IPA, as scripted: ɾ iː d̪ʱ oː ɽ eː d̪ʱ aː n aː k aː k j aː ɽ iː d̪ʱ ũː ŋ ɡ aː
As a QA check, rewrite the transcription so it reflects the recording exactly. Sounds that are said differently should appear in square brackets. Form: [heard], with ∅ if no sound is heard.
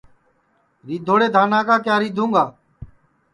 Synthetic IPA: ɾ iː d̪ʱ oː ɽ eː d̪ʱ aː n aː k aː k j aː [ɾ] iː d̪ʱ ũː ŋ ɡ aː